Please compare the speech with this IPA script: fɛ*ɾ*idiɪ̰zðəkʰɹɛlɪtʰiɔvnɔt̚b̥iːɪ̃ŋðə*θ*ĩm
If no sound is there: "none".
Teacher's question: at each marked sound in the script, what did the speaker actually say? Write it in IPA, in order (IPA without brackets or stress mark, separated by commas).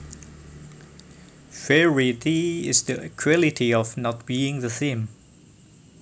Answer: ɹ, θ